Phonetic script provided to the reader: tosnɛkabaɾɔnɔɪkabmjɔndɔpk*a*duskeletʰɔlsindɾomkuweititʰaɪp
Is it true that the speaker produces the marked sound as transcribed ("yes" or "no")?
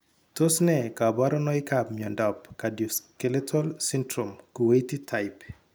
yes